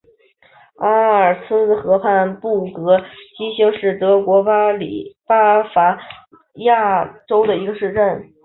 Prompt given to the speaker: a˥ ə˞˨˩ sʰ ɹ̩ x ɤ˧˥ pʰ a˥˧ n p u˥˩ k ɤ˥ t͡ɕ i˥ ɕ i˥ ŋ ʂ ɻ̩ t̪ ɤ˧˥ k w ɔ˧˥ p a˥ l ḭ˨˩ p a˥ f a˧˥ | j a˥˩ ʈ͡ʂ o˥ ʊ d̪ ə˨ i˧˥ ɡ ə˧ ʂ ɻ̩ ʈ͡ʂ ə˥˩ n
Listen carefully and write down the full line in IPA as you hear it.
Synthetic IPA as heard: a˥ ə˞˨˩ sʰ ɹ̩ x ɤ˧˥ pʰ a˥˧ n p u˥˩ k ɤ˧˥ t͡ɕ i˥ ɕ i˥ ŋ ʂ ɻ̩ t̪ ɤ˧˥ k w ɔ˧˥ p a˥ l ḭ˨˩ p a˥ f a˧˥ | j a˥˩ ʈ͡ʂ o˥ ʊ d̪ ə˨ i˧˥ ɡ ə˧ ʂ ɻ̩ ʈ͡ʂ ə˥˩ n